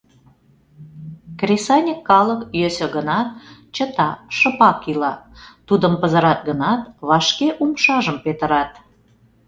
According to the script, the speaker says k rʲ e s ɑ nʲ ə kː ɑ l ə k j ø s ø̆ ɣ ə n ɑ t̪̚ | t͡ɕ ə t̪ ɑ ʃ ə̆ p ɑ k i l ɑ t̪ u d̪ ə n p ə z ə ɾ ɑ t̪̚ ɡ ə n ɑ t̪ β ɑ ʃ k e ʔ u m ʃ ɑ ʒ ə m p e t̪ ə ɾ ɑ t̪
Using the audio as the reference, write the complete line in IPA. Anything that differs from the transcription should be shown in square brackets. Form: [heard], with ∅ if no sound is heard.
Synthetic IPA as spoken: k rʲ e s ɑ nʲ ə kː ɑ l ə k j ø s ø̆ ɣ ə n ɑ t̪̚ | t͡ɕ ə t̪ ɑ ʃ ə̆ p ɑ k i l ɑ t̪ u d̪ ə [m] p ə z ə ɾ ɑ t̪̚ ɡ ə n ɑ t̪ β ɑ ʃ k e ʔ u m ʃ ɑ ʒ ə m p e t̪ ə ɾ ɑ t̪